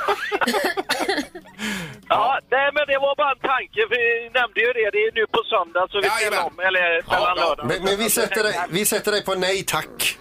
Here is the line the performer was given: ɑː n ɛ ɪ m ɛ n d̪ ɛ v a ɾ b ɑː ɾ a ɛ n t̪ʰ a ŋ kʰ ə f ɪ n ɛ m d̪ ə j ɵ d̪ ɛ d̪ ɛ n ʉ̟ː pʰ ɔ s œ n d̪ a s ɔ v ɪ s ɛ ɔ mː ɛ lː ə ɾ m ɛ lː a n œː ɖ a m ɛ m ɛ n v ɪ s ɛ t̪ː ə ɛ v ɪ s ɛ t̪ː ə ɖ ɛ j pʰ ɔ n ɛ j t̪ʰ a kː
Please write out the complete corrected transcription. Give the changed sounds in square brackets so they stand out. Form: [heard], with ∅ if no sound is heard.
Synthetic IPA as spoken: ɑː n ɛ ɪ m ɛ n d̪ ɛ v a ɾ b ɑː ɾ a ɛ n t̪ʰ a ŋ [k] ə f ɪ n ɛ m d̪ ə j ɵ d̪ ɛ d̪ ɛ n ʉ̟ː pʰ ɔ s œ n d̪ a s ɔ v ɪ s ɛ ɔ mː ɛ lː ə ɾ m ɛ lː a n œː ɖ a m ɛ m ɛ n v ɪ s ɛ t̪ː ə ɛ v ɪ s ɛ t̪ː ə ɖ ɛ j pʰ ɔ n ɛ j t̪ʰ a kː